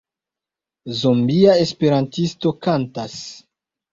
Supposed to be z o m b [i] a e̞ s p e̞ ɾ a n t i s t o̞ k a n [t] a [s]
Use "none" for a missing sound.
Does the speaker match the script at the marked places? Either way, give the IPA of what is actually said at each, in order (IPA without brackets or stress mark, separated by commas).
i, t, s